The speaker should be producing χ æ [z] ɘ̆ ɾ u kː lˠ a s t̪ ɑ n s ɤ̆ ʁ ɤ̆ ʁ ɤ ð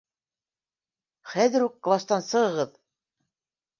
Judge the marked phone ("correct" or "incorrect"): incorrect